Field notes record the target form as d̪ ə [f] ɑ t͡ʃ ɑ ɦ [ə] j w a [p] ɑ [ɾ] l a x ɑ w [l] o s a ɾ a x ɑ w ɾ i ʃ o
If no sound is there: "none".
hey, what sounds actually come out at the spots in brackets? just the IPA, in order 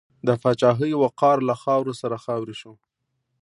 f, ə, q, ɾ, ɾ

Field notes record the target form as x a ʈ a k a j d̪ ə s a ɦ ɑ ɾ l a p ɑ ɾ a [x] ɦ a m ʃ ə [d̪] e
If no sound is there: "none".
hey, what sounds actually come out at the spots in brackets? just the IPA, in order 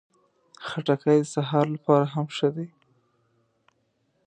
none, d̪

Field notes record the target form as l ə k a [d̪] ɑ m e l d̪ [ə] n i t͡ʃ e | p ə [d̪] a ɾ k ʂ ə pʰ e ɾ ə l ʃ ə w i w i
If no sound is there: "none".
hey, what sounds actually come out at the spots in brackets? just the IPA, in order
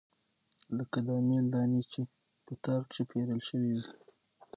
d̪, ɑ, t̪

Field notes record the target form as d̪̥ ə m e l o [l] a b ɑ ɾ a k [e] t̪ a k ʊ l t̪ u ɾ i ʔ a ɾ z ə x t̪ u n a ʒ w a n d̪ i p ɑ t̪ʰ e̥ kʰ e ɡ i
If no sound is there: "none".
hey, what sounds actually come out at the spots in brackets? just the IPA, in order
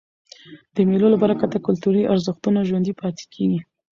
l, a

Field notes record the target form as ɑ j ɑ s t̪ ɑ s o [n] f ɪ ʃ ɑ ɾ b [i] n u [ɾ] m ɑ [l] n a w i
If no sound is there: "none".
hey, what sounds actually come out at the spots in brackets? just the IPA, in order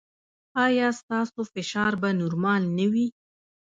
none, a, ɾ, l

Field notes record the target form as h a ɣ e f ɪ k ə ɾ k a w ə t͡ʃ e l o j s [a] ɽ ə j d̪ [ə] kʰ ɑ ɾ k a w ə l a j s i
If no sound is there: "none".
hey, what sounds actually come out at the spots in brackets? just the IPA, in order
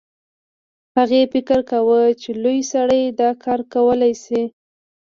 a, ɑ

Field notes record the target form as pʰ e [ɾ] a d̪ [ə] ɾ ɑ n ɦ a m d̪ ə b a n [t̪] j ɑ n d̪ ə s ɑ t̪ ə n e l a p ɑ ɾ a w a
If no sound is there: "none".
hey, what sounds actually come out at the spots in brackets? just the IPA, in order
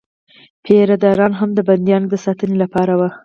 ɾ, ɑ, d̪

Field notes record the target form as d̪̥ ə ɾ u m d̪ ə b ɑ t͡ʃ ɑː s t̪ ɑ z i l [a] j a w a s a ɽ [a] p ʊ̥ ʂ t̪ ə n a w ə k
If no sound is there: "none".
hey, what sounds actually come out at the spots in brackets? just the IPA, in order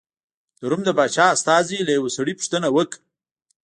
a, i

